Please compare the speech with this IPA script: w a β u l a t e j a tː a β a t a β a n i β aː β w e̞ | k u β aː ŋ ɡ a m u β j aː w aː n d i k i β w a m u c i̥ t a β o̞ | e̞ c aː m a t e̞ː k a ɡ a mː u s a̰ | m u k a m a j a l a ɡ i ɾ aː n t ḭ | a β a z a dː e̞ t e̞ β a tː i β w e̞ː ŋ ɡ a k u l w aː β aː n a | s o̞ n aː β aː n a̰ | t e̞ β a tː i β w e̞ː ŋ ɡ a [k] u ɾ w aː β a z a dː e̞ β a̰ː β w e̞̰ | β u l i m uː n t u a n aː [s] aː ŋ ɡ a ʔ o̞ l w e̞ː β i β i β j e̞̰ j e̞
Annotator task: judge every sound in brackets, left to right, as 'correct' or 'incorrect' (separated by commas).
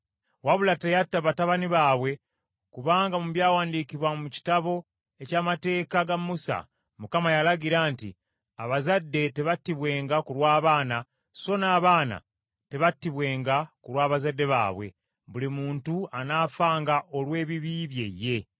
correct, incorrect